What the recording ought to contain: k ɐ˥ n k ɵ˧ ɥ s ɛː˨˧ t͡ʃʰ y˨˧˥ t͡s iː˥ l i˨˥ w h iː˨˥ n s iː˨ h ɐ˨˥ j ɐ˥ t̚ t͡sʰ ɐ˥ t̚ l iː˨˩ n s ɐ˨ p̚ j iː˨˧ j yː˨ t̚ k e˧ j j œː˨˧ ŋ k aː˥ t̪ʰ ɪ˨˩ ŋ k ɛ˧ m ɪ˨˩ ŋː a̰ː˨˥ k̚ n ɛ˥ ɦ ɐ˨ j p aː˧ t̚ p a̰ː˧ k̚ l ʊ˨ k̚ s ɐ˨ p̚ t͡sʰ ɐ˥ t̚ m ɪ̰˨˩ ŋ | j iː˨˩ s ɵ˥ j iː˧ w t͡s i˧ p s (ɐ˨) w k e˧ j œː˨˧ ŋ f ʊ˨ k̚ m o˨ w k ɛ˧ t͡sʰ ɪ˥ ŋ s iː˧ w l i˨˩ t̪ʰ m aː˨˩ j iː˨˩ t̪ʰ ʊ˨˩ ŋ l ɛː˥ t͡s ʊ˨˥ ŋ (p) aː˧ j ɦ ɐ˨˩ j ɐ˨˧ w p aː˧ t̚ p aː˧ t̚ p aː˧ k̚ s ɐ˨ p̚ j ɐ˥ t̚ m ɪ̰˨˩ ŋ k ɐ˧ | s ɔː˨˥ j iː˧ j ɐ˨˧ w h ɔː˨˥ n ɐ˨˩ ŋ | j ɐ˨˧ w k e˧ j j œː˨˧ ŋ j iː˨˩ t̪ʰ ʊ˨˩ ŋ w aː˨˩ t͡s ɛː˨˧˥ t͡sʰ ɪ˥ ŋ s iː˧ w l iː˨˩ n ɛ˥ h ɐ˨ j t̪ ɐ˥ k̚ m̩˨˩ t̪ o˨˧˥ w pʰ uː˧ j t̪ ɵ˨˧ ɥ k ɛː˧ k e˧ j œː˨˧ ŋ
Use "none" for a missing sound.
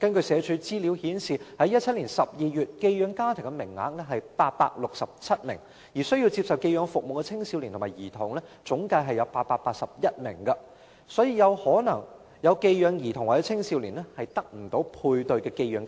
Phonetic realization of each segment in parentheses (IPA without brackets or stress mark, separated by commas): ɐ˨, k